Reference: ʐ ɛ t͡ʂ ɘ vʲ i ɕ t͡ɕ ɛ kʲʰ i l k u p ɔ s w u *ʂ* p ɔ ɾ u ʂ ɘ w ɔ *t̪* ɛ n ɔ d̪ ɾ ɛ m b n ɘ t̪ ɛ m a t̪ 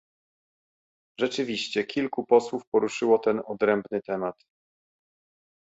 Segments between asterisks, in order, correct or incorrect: incorrect: f, correct

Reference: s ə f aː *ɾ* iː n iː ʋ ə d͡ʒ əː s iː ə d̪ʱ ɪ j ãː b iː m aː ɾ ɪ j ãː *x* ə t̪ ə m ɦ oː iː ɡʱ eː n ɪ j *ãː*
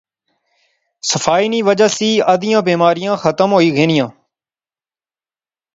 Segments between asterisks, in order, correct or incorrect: incorrect: none, correct, correct

